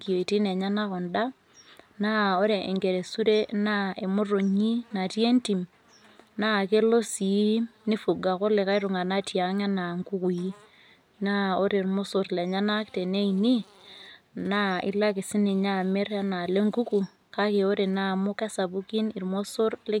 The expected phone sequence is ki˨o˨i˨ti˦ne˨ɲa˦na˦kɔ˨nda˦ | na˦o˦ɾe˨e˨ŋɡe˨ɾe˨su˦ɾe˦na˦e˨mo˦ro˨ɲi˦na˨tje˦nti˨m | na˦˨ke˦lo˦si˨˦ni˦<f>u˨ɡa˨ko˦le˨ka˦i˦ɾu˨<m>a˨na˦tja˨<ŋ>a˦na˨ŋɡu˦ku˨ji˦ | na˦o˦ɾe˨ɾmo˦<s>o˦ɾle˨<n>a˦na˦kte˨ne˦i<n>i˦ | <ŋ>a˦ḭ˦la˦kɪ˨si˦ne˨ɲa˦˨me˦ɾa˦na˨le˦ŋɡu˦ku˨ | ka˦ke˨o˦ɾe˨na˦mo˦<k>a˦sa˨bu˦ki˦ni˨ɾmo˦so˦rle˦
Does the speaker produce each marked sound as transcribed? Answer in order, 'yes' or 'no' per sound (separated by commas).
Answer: yes, no, yes, yes, no, yes, no, yes